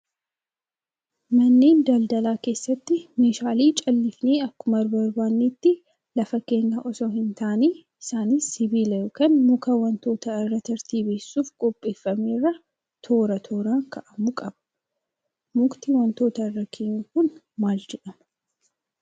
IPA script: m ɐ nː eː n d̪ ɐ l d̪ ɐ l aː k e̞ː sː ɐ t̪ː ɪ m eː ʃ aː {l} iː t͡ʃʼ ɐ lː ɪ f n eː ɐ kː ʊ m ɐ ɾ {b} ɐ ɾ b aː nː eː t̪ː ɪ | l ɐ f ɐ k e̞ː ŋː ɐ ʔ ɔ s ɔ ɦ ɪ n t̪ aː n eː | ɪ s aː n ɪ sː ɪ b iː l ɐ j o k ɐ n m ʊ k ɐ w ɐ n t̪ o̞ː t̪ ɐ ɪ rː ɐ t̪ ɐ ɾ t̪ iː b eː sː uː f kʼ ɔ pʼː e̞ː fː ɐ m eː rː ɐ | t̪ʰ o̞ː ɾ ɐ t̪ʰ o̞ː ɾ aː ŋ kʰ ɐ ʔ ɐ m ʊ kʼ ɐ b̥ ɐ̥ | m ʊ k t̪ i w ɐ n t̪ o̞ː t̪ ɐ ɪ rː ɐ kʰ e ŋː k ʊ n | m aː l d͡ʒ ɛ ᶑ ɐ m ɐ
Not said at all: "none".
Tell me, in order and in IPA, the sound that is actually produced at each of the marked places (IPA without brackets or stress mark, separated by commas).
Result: l, b